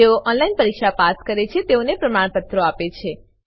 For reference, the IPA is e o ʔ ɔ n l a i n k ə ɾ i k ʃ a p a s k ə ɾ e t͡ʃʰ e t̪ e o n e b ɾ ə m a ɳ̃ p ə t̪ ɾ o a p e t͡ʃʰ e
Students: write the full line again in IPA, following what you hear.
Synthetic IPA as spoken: e o ʔ ɔ n l a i n p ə ɾ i k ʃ a p a s k ə ɾ e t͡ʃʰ e t̪ e o n e p ɾ ə m a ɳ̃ p ə t̪ ɾ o a p e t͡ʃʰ e